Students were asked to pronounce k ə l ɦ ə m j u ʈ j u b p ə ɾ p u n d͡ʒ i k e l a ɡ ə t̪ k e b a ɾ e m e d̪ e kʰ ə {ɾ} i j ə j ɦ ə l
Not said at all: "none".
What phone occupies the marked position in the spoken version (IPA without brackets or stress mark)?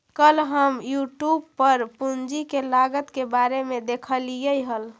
l